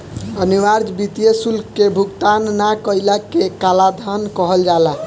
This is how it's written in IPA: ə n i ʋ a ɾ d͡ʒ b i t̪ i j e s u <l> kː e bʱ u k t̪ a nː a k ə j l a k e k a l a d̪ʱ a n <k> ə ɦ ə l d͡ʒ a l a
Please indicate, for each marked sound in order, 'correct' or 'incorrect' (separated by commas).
correct, correct